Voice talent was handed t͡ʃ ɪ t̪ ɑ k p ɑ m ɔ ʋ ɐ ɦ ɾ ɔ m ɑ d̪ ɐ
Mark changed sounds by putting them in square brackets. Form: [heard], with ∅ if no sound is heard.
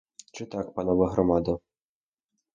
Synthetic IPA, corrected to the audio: t͡ʃ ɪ t̪ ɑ k p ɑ [n] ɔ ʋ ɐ ɦ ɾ ɔ m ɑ d̪ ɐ